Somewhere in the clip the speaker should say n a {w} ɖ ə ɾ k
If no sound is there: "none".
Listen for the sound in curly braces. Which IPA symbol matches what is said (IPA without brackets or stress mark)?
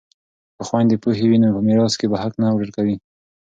w